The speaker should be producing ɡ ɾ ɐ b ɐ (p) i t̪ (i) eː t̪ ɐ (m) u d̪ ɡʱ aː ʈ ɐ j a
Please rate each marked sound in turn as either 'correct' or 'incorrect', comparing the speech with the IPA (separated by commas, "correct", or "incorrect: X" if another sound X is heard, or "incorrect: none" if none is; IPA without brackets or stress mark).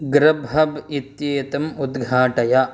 incorrect: b, incorrect: j, correct